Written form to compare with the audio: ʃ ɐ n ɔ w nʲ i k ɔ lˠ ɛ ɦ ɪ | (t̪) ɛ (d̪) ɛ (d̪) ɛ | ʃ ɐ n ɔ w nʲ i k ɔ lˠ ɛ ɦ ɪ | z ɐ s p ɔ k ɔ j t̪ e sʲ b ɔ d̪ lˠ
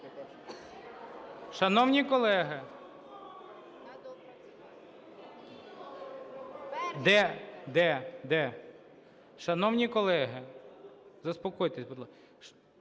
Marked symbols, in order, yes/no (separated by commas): no, yes, yes